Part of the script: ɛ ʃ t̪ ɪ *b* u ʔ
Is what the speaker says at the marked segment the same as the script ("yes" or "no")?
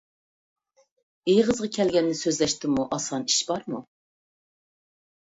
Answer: no